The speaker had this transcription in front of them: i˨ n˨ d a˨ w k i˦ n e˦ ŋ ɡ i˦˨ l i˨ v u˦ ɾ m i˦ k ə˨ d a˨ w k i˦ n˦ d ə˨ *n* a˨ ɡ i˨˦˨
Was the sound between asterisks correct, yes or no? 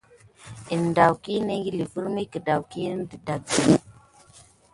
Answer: no